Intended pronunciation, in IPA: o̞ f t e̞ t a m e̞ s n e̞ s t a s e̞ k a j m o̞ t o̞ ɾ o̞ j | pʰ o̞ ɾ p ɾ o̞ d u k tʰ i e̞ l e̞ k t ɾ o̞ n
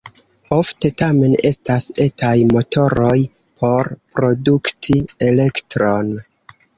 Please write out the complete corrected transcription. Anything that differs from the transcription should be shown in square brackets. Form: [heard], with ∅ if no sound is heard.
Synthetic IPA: o̞ f t e̞ t a m e̞ [∅] n e̞ s t a s e̞ [t] a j m o̞ t o̞ ɾ o̞ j | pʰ o̞ ɾ p ɾ o̞ d u k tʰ i e̞ l e̞ k t ɾ o̞ n